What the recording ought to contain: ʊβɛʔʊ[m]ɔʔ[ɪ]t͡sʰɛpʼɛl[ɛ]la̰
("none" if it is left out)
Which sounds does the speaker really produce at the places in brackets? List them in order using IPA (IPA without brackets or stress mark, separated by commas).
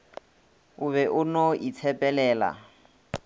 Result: n, i, ɛː